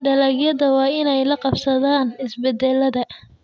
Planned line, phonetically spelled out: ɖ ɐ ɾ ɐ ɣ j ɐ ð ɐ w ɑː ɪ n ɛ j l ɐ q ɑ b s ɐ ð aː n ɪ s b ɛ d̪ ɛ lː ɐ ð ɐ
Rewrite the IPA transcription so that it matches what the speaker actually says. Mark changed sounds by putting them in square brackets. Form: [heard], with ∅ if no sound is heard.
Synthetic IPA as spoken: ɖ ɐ [l] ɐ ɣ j ɐ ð ɐ w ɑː ɪ n ɛ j l ɐ q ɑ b s ɐ ð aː n ɪ s b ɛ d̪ ɛ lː ɐ ð ɐ